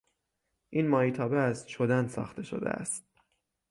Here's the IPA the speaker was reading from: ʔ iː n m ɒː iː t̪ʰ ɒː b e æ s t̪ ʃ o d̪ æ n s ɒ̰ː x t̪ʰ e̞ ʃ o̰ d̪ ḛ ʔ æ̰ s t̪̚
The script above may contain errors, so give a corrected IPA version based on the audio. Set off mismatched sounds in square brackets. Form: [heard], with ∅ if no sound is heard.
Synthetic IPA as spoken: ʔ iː n m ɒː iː t̪ʰ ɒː b e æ s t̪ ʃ o d̪ æ n s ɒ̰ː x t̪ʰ e̞ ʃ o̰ d̪ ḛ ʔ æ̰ s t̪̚